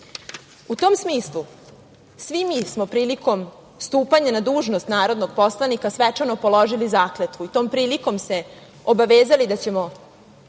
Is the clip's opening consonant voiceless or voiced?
voiceless